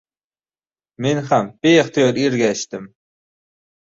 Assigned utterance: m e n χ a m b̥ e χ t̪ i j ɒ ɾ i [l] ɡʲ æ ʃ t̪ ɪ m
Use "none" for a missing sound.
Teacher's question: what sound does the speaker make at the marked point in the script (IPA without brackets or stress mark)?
ɾ